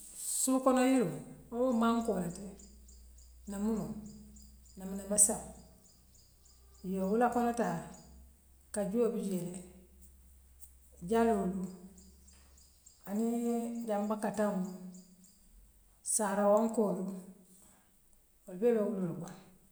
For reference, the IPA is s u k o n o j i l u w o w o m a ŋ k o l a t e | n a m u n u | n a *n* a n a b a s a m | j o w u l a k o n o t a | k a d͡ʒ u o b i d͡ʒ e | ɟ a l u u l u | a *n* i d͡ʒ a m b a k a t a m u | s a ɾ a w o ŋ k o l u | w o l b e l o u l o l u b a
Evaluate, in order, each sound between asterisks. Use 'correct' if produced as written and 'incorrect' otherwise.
incorrect: m, correct

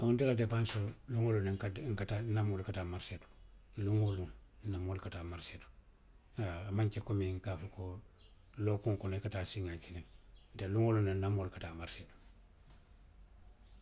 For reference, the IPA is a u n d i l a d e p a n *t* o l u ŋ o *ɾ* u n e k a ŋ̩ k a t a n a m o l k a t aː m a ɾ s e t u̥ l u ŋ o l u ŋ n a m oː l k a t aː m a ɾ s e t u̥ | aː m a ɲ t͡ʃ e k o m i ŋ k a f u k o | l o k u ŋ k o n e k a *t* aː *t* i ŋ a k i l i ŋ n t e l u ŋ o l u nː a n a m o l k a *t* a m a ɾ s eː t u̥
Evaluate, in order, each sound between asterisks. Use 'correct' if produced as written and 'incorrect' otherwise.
incorrect: s, incorrect: l, correct, incorrect: s, correct

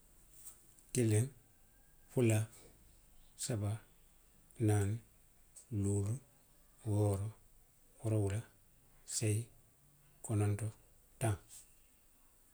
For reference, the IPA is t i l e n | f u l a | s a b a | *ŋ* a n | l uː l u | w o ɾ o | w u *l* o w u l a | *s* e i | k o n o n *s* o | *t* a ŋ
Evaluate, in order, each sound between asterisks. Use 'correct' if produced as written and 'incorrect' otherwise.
incorrect: n, incorrect: ɾ, correct, incorrect: t, correct

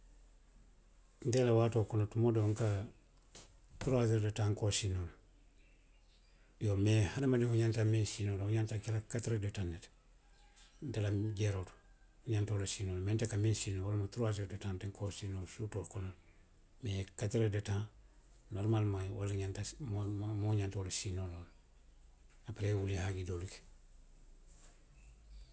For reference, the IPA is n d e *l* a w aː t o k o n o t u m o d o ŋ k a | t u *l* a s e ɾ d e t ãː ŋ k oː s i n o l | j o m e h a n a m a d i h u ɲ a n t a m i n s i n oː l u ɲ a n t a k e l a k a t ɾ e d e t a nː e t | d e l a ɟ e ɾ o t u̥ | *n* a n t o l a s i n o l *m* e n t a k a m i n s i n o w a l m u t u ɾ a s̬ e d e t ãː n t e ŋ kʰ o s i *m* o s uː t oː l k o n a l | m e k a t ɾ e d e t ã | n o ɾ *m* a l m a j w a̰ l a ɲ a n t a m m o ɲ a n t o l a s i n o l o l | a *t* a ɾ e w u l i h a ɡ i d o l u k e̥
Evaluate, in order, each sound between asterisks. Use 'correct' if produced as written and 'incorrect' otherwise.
correct, incorrect: ɾ, incorrect: ɲ, correct, incorrect: n, correct, incorrect: p

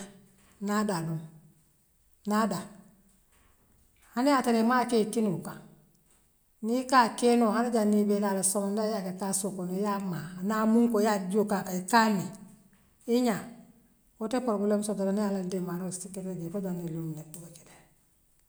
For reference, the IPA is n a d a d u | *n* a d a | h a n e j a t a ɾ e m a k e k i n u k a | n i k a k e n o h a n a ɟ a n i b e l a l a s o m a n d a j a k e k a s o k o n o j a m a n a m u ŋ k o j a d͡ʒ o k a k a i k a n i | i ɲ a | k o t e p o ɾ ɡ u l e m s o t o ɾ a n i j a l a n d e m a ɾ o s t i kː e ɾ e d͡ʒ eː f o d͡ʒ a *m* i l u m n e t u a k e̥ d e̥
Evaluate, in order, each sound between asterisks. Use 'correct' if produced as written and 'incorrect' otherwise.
correct, incorrect: n

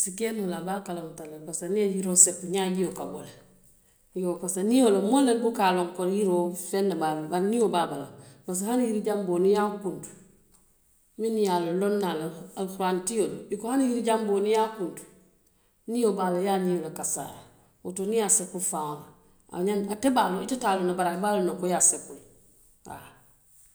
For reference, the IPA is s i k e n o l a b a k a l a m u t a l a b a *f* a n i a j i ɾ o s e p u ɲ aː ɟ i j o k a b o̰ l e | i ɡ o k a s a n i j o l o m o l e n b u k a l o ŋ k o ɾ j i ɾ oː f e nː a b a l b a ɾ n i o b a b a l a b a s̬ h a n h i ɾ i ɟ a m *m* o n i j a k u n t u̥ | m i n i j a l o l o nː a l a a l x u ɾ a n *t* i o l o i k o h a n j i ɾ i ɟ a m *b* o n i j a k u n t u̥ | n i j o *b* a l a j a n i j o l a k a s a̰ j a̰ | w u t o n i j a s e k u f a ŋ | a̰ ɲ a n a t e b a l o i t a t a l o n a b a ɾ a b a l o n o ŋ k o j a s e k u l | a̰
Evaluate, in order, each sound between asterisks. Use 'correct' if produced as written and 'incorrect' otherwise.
incorrect: s, incorrect: b, correct, correct, correct

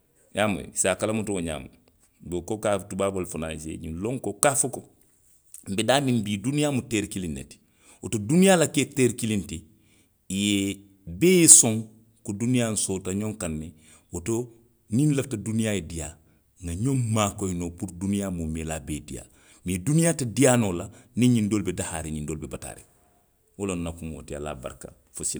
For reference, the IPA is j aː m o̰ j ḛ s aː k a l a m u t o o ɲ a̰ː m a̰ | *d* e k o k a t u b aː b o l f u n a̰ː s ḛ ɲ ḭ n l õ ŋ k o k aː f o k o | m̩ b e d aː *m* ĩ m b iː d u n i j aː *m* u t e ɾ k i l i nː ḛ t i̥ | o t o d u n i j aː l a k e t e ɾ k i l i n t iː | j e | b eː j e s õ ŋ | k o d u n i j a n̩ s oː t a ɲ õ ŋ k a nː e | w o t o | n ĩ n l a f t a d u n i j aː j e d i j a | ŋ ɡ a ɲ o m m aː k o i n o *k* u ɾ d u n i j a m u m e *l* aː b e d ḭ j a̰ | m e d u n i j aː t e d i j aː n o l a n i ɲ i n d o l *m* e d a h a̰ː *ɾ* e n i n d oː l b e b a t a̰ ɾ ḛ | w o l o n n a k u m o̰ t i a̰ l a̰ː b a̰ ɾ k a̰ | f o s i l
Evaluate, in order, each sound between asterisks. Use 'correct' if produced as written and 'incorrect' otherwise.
incorrect: b, correct, correct, incorrect: p, correct, incorrect: b, correct

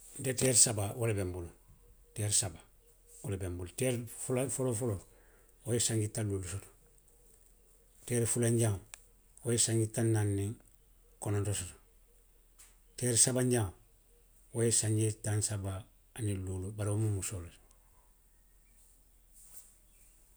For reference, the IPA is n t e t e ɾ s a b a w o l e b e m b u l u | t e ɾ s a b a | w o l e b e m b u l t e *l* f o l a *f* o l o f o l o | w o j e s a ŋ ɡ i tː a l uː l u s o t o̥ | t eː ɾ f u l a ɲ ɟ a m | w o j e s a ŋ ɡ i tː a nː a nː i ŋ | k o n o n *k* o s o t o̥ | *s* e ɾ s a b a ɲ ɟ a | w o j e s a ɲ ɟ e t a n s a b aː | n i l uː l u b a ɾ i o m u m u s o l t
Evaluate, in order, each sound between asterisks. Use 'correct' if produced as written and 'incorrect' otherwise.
incorrect: ɾ, correct, incorrect: t, incorrect: t

